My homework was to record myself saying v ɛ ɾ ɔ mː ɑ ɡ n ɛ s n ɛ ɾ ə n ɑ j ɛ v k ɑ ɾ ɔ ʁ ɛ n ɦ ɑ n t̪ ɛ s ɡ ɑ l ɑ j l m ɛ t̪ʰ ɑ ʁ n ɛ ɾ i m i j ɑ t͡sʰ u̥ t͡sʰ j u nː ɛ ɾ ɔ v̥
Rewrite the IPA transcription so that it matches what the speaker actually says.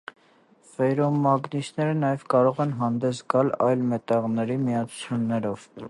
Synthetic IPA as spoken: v ɛ ɾ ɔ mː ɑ ɡ n i s n ɛ ɾ ə n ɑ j ɛ v k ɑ ɾ ɔ ʁ ɛ n ɦ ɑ n d̪ ɛ s ɡ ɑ l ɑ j l m ɛ t̪ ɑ ʁ n ɛ ɾ i m i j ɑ t͡sʰ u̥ t͡sʰ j u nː ɛ ɾ ɔ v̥